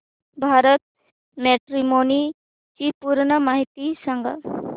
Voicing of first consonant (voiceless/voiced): voiced